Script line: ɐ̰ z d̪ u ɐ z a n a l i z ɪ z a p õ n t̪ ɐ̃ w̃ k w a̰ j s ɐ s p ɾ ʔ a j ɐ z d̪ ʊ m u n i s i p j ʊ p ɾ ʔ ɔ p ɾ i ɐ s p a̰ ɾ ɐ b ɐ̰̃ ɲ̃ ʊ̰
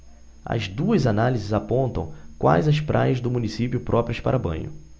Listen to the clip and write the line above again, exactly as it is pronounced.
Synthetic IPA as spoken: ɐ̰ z d̪ u ɐ z a n a l i z ɪ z a p õ n t̪ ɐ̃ w̃ k w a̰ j z ɐ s p ɾ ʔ a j ɐ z d̪ ʊ m u n i s i p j ʊ p ɾ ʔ ɔ p ɾ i ɐ s p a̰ ɾ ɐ b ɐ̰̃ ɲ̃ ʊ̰